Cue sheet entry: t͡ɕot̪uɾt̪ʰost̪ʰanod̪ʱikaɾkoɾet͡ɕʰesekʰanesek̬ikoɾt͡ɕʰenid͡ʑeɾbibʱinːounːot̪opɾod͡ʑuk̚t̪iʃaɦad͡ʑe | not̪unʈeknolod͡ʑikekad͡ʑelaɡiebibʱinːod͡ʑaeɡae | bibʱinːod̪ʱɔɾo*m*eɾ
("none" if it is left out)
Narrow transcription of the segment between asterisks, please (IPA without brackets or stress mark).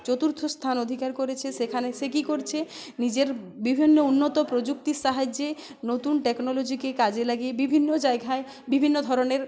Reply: n